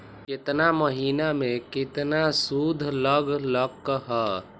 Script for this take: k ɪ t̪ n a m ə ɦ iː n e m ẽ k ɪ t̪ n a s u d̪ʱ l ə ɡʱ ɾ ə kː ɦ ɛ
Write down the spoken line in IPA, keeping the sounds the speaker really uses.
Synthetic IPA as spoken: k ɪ t̪ n a m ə ɦ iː n a m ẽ k ɪ t̪ n a s u d̪ʱ l ə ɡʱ l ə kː ɦ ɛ